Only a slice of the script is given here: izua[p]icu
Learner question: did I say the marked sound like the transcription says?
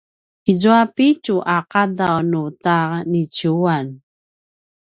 yes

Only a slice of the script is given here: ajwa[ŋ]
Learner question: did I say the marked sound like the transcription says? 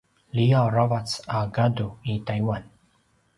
no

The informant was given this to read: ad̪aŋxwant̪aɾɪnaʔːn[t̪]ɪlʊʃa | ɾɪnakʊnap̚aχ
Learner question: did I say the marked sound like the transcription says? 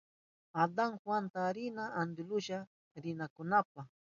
no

